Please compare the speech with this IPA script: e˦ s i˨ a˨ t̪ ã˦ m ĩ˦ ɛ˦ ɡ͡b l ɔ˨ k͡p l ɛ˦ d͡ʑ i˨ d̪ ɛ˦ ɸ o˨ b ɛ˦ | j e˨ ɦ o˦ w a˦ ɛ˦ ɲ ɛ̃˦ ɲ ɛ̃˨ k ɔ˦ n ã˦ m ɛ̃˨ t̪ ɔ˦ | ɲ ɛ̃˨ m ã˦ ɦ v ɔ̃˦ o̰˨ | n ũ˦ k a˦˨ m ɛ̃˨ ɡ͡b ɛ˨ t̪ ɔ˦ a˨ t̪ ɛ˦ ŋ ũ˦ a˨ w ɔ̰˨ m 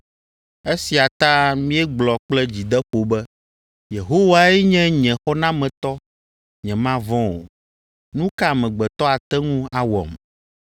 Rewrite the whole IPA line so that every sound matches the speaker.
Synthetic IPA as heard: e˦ s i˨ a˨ t̪ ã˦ m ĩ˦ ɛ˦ ɡ͡b l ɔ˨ k͡p l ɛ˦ d͡ʑ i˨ d̪ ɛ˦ ɸ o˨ b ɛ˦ | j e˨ ɦ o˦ w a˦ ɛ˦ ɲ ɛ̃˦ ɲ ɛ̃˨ x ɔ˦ n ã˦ m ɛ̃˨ t̪ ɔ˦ | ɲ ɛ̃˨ m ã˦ v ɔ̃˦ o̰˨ | n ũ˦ k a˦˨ m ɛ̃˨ ɡ͡b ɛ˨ t̪ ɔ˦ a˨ t̪ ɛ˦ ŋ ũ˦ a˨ w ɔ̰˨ m